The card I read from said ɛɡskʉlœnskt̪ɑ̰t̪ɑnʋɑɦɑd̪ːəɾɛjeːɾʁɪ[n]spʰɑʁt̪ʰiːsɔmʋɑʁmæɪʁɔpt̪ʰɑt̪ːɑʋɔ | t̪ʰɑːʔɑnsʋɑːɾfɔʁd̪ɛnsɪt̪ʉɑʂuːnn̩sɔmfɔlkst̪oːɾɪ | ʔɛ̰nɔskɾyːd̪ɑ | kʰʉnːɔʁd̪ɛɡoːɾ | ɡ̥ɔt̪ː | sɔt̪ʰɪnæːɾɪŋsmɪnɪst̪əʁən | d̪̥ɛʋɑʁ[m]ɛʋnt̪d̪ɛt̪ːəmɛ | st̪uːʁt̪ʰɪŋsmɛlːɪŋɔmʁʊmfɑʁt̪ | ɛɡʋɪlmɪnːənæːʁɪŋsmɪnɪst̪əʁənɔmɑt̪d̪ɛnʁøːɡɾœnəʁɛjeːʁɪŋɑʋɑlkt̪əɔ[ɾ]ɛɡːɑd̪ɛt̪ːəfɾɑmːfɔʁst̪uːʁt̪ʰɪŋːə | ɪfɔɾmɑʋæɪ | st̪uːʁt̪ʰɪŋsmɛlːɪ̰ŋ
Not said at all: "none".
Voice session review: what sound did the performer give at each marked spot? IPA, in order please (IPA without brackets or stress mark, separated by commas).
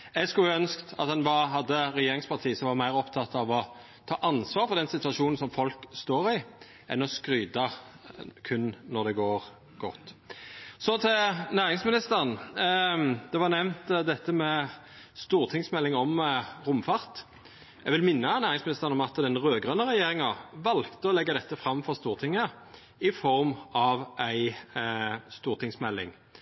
ŋ, n, l